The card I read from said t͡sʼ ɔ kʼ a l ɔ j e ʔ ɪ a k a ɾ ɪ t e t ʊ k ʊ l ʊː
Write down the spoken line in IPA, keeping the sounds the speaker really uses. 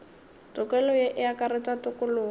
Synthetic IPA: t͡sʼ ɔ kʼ ɛ l ɔ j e ʔ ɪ a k a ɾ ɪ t a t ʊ k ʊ l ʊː